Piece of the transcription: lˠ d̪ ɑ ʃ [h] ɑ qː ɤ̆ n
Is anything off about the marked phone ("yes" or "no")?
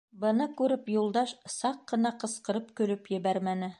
yes